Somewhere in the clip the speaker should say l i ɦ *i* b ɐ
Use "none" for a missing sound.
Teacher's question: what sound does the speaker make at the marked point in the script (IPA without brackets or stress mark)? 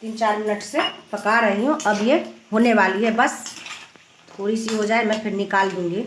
ɛ